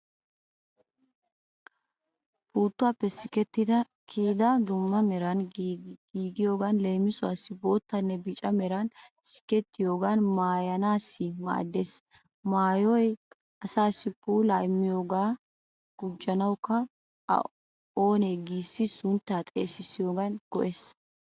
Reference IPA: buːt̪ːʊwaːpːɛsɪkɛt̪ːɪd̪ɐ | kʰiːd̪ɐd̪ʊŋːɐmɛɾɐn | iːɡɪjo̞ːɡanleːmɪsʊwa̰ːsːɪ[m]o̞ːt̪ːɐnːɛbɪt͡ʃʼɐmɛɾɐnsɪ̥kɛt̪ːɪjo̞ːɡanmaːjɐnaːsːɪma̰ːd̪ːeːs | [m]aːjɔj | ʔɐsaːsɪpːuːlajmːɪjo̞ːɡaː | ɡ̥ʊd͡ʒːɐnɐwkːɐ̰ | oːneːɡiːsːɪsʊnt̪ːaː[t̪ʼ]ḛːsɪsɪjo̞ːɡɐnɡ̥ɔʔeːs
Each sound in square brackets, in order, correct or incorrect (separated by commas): incorrect, correct, correct